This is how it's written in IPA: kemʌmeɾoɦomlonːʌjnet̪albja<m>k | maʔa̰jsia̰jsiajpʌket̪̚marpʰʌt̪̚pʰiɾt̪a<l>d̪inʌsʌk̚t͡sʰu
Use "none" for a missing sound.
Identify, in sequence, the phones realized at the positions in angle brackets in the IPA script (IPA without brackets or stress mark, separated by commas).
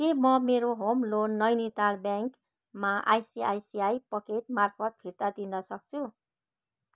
ŋ, none